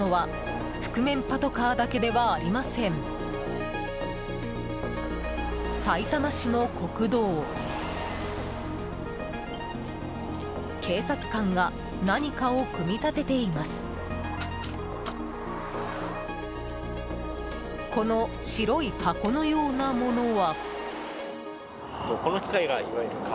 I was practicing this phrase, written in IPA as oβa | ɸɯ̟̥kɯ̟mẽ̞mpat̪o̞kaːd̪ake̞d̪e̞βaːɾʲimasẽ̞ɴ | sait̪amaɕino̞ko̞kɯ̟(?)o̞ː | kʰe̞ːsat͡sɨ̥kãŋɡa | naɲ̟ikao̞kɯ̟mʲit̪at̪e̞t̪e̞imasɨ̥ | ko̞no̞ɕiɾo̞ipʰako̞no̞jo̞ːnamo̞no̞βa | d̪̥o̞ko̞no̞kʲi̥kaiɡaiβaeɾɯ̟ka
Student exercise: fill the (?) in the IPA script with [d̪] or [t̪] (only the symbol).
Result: d̪